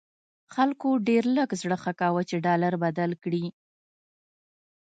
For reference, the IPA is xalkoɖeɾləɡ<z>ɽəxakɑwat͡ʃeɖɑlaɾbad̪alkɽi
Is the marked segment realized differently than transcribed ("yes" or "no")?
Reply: no